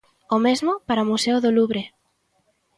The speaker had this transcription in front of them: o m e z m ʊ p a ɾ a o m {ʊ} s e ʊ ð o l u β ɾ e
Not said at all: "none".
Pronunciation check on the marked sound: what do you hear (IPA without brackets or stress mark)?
u